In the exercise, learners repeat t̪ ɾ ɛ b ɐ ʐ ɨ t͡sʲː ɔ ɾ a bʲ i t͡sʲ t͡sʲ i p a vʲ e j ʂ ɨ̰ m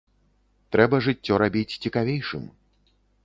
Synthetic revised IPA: t̪ ɾ ɛ b ɐ ʐ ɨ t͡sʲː ɔ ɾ a bʲ i t͡sʲ t͡sʲ i k a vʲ e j ʂ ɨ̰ m